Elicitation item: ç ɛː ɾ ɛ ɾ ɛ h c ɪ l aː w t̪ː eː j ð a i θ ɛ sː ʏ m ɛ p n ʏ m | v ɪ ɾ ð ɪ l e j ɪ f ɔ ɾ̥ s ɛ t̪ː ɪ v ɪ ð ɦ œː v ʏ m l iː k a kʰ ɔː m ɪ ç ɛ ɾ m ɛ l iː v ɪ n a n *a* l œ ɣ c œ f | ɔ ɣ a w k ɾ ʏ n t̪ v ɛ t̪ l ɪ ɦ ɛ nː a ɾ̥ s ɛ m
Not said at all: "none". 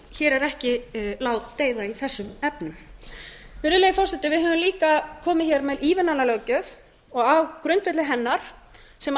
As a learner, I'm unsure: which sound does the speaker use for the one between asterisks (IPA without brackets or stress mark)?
a